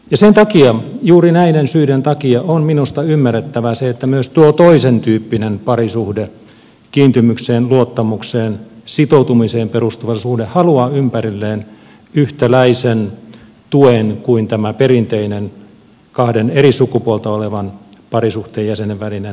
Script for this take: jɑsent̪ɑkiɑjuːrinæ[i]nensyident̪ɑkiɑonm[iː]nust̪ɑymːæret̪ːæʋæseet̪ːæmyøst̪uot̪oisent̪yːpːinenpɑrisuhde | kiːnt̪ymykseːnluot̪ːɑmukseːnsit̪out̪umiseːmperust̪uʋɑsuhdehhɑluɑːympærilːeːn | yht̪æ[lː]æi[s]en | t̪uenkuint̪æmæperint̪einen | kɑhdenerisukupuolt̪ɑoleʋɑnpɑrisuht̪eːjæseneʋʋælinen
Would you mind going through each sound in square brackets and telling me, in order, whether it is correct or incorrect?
correct, incorrect, incorrect, correct

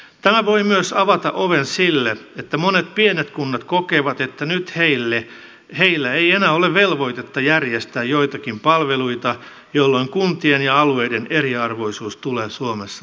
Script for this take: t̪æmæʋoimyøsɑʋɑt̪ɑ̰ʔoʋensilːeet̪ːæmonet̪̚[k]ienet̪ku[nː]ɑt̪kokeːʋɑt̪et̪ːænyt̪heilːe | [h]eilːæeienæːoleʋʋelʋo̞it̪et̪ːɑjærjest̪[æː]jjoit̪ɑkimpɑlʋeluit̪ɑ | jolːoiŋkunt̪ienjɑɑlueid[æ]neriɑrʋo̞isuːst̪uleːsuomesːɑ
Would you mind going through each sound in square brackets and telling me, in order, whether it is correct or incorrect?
incorrect, correct, correct, correct, incorrect

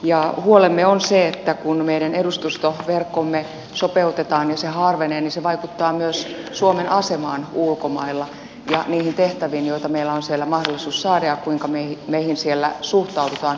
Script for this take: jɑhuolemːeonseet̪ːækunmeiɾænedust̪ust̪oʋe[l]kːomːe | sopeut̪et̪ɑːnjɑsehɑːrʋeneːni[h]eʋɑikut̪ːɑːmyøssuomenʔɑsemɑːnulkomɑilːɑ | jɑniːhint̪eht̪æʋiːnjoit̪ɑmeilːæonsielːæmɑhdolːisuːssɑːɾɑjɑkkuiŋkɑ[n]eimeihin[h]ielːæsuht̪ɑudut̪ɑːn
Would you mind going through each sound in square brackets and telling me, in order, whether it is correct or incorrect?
incorrect, incorrect, incorrect, incorrect

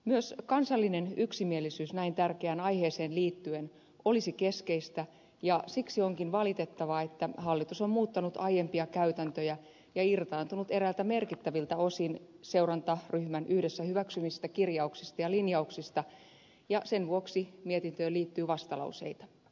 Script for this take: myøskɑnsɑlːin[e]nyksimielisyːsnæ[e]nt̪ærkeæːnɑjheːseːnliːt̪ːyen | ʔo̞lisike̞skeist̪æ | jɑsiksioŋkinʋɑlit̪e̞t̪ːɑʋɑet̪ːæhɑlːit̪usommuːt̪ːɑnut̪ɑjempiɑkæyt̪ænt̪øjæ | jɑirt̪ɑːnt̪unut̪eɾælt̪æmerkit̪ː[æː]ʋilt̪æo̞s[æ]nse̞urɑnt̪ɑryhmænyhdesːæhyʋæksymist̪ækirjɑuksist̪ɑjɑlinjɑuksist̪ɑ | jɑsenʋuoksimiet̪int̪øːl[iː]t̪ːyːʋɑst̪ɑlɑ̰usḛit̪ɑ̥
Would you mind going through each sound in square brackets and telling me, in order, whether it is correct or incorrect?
correct, incorrect, incorrect, incorrect, correct

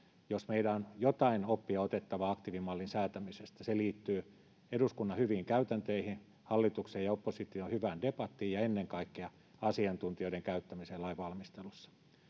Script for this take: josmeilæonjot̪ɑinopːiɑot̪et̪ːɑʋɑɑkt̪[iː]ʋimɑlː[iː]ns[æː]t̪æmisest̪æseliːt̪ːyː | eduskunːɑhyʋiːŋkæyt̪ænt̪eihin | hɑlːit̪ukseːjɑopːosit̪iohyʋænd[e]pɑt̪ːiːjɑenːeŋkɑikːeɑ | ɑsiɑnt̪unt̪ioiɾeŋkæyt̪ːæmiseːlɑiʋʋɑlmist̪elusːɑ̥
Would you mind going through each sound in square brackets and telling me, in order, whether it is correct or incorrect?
incorrect, incorrect, correct, correct

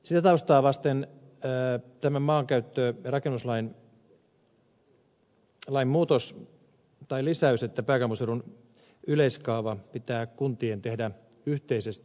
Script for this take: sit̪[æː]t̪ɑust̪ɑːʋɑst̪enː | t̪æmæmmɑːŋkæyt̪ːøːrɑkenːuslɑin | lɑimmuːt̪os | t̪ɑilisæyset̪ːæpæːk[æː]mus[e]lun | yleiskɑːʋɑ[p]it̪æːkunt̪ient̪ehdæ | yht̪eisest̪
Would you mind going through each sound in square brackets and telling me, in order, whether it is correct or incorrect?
incorrect, incorrect, correct, correct

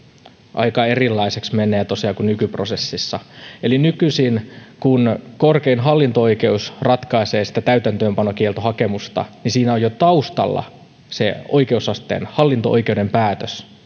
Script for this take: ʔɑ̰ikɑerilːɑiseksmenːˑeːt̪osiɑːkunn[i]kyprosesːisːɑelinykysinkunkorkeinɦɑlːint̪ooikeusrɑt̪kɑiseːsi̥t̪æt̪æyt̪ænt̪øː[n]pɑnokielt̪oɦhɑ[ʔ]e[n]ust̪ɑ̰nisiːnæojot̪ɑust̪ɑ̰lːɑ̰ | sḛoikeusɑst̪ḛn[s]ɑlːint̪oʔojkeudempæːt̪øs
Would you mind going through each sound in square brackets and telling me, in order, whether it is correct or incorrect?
incorrect, incorrect, incorrect, incorrect, incorrect

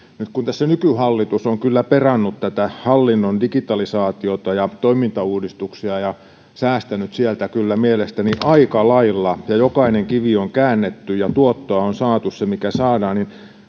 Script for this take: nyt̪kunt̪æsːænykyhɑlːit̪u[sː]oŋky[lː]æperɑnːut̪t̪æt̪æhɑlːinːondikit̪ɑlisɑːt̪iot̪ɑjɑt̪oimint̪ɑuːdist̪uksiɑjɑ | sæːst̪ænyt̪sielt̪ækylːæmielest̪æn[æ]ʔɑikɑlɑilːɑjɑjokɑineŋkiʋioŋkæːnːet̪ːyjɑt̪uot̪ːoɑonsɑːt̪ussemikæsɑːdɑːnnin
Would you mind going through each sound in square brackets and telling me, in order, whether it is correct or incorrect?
incorrect, correct, incorrect

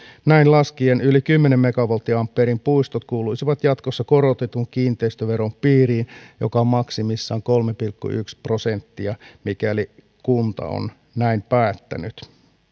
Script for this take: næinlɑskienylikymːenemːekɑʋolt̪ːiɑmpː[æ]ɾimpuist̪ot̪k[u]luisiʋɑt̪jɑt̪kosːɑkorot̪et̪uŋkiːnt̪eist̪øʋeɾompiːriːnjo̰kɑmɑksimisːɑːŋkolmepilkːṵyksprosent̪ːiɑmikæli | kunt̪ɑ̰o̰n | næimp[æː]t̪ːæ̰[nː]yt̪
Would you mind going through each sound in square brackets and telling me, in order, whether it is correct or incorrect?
incorrect, incorrect, correct, incorrect

